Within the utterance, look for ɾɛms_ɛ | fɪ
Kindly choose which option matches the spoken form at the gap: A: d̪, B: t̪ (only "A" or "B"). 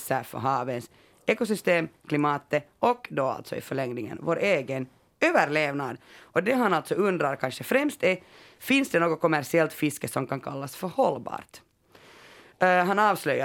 B